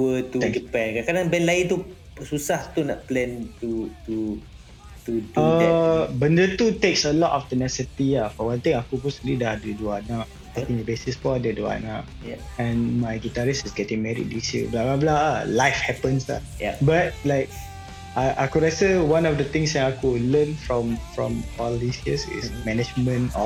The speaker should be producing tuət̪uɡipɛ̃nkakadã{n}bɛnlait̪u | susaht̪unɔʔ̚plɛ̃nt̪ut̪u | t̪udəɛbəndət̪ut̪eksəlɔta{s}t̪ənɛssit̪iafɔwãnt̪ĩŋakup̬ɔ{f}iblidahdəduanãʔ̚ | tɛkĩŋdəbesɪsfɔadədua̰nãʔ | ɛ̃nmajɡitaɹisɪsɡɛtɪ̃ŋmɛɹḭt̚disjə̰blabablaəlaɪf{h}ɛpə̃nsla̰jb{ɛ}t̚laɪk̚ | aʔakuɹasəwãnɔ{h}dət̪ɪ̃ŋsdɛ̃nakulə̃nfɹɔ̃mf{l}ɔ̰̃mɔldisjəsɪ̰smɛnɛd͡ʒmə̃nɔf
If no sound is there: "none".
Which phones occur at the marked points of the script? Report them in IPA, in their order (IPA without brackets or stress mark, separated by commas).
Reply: ŋ, f, s, h, a, f, ɹ